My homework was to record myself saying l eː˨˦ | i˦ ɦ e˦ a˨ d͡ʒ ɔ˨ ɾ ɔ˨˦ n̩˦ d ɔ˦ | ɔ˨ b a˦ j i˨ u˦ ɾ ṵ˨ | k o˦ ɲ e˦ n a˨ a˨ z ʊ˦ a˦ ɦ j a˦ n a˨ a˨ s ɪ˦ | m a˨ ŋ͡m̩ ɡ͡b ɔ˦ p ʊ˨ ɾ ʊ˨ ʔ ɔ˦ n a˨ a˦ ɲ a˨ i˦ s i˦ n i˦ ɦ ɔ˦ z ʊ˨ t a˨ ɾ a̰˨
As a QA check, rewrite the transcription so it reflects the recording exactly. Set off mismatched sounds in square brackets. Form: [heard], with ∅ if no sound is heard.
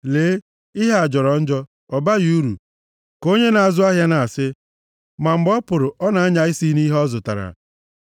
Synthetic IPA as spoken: l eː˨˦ | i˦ ɦ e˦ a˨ d͡ʒ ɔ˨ ɾ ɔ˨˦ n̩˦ [d͡ʒ] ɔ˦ | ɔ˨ b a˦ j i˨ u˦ ɾ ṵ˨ | k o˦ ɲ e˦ n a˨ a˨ z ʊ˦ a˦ ɦ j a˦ n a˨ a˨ s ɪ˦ | m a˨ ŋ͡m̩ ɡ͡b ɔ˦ p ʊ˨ ɾ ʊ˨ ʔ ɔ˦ n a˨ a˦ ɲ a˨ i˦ s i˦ n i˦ ɦ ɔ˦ z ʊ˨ t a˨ ɾ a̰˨